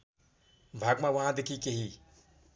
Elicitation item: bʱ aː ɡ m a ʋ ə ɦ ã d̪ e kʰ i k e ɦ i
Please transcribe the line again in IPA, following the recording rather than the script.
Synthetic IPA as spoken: bʱ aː ɡ m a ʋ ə ɦ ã d̪ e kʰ i k e ɦ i